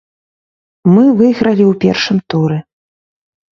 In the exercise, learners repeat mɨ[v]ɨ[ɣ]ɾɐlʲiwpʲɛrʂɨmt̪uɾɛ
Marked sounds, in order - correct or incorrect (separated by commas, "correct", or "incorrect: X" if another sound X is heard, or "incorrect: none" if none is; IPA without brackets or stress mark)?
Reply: correct, correct